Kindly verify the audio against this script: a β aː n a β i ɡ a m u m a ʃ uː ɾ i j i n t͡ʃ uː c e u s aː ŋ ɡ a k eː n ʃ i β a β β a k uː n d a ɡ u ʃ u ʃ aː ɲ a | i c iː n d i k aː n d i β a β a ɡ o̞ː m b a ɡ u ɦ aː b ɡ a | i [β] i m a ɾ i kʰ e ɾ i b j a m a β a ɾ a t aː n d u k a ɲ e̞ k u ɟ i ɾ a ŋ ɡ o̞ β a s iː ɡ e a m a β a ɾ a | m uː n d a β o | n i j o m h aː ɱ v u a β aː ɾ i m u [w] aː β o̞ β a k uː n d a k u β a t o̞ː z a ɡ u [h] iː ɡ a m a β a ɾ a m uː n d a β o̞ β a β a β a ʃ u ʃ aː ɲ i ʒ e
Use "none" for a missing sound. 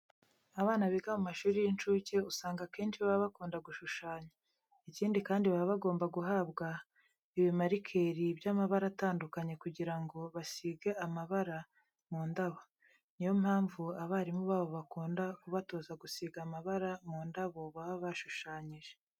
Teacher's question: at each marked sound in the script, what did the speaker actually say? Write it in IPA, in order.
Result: β, β, s

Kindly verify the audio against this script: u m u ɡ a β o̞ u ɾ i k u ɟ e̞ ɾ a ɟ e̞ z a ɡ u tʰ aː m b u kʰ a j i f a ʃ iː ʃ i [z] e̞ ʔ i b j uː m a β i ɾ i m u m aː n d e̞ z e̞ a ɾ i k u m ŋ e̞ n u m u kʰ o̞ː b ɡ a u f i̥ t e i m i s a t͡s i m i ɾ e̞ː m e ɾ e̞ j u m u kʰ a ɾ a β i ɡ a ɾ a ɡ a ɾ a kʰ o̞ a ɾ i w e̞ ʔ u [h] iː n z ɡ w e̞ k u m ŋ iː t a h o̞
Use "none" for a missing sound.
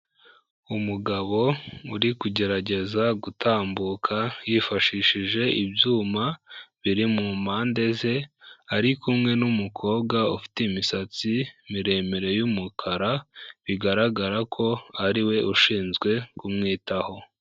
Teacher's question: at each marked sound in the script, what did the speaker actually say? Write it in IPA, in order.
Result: ʒ, ʃ

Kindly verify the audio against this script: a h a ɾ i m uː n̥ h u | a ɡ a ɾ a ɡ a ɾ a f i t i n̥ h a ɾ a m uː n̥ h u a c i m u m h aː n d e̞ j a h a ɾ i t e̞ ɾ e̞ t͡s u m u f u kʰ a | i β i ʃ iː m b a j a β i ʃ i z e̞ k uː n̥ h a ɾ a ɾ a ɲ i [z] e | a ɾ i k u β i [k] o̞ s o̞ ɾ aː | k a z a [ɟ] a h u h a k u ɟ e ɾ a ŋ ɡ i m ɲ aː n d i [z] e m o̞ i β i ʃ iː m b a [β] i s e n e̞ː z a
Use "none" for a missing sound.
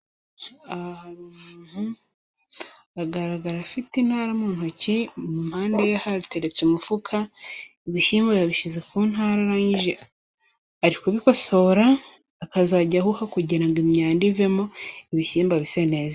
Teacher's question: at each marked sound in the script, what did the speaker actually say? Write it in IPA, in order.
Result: ʒ, k, ɟ, v, β

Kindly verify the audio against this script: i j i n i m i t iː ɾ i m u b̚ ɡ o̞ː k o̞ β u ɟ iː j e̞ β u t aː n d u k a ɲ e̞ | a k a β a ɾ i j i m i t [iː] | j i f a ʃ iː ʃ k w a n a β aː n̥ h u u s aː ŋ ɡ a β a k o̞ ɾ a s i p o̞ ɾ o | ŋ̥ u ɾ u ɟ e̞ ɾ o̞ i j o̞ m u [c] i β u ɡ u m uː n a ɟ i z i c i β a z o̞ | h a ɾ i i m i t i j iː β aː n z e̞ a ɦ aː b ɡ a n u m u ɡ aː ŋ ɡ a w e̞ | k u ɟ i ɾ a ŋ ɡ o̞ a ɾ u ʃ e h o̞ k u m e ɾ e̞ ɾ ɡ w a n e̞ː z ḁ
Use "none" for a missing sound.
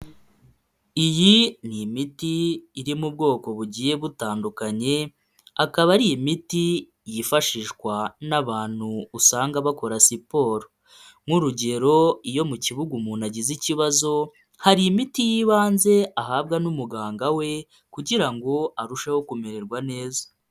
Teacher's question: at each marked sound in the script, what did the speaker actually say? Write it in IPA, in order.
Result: i, c

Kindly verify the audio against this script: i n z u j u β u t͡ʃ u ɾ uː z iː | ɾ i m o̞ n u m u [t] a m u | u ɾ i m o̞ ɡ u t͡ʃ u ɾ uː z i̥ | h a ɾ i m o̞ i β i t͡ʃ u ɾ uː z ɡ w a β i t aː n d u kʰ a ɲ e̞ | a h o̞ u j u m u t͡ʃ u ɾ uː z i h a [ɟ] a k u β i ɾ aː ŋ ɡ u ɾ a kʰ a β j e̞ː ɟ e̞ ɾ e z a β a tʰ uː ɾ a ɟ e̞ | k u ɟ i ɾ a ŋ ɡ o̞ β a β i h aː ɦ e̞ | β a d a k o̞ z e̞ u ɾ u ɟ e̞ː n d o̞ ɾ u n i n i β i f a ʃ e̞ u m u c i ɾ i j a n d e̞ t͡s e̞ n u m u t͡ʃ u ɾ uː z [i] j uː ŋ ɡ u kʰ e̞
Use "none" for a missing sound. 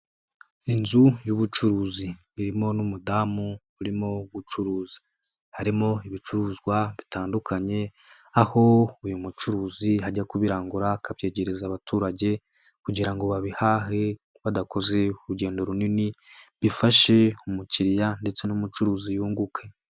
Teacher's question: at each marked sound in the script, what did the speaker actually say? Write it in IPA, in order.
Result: d, ɟ, i

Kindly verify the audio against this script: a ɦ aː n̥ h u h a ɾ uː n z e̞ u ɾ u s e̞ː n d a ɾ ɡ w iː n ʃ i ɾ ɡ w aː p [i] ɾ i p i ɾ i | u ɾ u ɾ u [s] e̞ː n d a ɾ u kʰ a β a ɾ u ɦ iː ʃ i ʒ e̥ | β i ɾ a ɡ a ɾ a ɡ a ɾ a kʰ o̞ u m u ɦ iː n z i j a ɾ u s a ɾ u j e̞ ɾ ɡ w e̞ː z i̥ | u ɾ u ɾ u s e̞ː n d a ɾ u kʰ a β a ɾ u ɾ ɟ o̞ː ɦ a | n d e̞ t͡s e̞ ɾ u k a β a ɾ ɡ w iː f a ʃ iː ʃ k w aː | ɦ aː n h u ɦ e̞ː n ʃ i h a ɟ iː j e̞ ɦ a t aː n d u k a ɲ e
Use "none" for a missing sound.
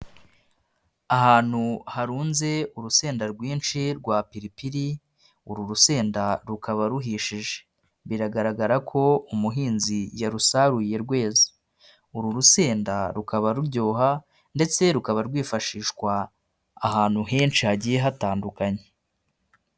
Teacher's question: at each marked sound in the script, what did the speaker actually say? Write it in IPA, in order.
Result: i, s

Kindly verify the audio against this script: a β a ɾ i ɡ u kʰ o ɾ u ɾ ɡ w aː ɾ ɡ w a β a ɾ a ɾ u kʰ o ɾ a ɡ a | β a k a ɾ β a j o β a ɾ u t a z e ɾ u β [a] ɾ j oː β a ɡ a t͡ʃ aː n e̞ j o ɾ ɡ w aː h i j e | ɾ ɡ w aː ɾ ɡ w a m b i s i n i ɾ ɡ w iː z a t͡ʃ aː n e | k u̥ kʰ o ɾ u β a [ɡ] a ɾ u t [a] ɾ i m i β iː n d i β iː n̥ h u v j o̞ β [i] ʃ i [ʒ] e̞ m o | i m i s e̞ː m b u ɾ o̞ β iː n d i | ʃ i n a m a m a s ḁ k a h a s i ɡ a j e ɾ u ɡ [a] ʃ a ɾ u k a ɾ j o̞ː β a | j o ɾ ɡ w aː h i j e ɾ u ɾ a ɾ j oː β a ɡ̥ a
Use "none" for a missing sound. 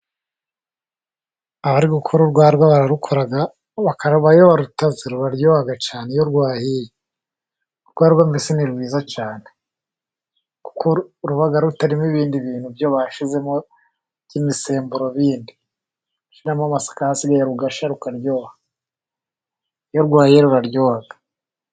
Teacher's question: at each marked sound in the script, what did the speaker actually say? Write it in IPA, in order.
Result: a, ɡ, a, a, z, a

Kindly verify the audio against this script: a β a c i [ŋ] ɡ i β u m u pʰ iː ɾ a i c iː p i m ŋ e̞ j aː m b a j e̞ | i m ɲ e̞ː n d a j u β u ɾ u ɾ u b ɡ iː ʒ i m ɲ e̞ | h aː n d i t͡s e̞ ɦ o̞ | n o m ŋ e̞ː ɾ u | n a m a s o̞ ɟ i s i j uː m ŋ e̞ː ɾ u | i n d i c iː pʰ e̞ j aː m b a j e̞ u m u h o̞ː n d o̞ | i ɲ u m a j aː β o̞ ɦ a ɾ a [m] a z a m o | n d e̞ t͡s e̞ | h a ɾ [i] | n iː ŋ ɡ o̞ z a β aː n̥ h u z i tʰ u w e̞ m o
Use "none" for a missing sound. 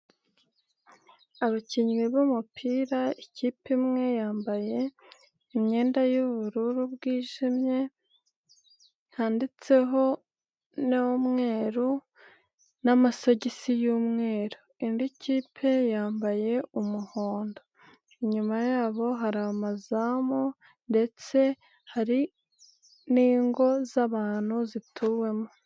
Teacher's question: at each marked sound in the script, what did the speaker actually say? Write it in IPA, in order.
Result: ɲ, m, i

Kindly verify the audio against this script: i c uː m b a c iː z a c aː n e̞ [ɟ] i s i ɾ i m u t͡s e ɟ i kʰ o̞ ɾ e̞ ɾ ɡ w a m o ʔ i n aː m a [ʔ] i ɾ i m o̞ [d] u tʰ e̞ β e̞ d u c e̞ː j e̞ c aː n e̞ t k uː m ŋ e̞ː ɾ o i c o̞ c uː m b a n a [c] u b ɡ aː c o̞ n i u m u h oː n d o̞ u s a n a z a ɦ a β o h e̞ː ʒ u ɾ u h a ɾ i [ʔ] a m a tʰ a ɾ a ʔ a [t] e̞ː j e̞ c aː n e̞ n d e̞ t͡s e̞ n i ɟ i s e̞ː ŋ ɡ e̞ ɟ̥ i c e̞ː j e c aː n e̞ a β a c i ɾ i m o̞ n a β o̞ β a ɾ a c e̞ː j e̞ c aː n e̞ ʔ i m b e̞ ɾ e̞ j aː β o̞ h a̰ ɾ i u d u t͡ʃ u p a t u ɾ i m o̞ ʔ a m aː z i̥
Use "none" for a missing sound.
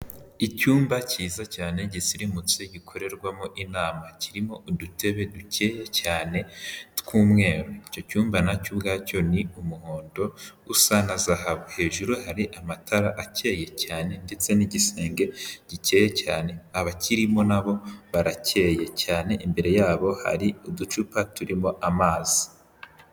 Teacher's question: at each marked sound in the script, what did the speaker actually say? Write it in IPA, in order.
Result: ɟ, c, d, c, ʔ, c

